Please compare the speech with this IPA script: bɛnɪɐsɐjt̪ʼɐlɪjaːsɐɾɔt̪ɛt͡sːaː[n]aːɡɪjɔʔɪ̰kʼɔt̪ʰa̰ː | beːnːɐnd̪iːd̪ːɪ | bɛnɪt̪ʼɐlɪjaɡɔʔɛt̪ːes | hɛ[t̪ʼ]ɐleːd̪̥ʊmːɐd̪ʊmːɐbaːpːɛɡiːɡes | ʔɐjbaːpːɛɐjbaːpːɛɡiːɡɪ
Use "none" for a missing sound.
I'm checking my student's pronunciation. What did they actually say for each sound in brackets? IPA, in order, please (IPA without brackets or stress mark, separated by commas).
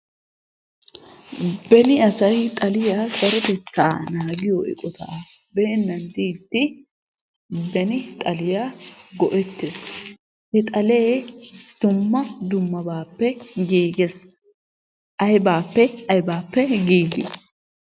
n, t̪ʼ